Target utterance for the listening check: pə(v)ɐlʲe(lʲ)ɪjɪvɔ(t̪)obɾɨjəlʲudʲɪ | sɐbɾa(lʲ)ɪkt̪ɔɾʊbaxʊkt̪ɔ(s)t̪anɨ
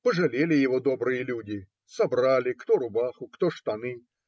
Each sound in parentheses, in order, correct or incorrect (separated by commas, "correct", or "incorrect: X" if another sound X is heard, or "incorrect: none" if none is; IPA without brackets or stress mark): incorrect: ʐ, correct, incorrect: d̪, correct, incorrect: ʂ